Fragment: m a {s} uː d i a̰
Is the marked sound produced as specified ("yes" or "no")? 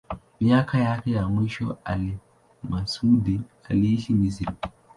yes